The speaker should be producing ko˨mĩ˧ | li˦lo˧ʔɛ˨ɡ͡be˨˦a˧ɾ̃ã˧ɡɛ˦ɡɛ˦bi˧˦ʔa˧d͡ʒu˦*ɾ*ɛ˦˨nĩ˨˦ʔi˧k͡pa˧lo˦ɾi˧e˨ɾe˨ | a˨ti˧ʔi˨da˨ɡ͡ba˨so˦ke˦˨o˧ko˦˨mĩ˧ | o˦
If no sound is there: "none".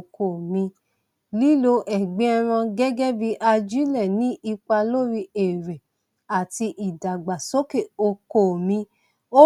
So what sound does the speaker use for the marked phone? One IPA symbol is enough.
l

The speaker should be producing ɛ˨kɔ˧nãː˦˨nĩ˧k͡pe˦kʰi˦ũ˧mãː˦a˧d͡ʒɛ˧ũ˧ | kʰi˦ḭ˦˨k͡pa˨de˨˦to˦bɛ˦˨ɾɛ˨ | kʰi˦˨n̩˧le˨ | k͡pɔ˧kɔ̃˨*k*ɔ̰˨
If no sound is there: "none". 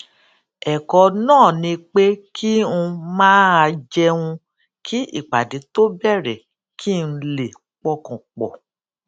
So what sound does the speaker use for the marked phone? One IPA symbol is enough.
k͡p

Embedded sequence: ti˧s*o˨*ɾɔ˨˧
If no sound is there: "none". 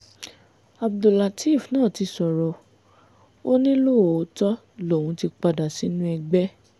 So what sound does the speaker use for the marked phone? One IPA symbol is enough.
ɔ˨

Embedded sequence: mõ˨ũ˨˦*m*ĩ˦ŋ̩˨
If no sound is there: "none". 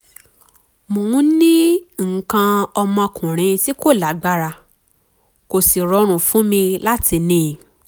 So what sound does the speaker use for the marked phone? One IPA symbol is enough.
n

